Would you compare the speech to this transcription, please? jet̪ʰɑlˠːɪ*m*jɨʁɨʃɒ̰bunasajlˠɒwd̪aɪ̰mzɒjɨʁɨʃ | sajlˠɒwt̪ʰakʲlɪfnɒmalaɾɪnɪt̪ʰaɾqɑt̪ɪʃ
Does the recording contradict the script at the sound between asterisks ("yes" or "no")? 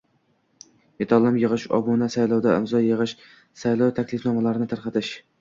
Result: no